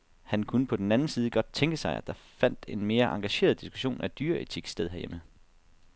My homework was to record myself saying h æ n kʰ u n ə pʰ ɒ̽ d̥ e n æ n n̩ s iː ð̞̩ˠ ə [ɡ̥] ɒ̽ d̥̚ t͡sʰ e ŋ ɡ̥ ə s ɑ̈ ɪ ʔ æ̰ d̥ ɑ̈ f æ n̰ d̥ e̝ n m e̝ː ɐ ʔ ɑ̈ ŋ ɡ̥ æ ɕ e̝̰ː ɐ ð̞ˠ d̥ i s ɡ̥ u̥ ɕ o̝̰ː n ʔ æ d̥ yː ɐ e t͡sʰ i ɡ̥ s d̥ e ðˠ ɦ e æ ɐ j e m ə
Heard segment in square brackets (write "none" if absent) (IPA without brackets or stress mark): ɡ̥